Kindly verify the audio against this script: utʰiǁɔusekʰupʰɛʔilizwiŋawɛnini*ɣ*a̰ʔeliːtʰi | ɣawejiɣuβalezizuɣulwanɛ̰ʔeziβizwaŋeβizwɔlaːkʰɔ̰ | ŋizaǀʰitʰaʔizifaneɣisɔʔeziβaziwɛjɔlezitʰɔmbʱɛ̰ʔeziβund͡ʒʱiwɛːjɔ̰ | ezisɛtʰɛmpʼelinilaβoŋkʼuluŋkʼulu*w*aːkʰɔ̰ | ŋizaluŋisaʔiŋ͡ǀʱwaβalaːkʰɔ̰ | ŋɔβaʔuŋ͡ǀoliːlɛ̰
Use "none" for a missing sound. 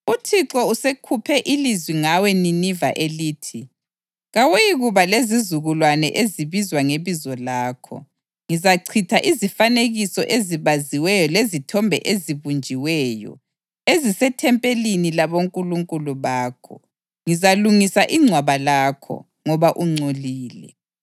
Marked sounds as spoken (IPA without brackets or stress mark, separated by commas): v, β